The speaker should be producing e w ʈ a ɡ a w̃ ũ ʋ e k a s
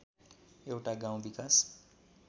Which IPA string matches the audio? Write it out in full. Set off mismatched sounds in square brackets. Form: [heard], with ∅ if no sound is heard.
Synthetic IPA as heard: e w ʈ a ɡ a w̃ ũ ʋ [i] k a s